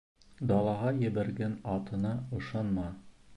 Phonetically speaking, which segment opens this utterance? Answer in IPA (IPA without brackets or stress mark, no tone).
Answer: d̪